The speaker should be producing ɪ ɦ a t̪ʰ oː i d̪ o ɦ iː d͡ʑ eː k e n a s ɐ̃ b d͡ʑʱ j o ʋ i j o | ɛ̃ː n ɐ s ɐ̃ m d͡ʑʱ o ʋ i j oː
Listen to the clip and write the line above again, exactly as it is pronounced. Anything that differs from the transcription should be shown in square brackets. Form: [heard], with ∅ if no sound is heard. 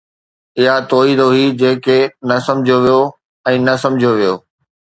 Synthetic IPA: ɪ ɦ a [t̪] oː i d̪ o ɦ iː d͡ʑ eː k e n [ɐ] s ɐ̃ [m] d͡ʑʱ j o ʋ i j o | ɛ̃ː n ɐ s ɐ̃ m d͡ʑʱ o ʋ i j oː